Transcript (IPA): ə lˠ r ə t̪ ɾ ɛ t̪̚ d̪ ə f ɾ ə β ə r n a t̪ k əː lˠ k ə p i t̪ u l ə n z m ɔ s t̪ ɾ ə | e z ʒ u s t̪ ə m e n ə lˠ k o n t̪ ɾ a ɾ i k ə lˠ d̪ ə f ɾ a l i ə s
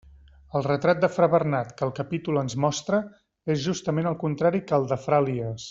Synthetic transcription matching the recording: ə lˠ r ə t̪ ɾ a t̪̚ d̪ ə f ɾ ə β ə r n a t̪ k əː lˠ k ə p i t̪ u l ə n z m ɔ s t̪ ɾ ə | e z ʒ u s t̪ ə m e n ə lˠ k u n t̪ ɾ a ɾ i k ə lˠ d̪ ə f ɾ a l i ə s